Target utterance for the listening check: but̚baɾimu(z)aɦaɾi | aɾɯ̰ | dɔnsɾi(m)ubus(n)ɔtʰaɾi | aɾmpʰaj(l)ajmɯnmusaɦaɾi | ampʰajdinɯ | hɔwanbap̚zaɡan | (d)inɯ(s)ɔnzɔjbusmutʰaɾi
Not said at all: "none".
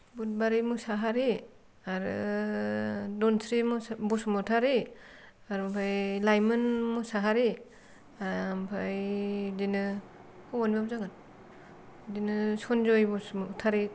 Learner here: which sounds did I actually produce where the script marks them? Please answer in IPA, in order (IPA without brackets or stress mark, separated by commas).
s, m, m, l, d, s